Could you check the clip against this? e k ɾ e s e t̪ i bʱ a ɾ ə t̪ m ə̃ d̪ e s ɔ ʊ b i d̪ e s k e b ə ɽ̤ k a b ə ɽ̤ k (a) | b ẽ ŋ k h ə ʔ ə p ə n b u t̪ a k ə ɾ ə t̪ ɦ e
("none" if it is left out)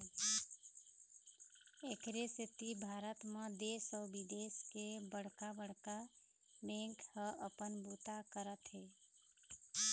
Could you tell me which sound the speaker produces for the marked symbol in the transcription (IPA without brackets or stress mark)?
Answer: a